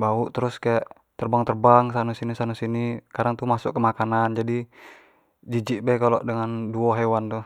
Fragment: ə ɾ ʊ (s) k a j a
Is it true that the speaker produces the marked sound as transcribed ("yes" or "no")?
yes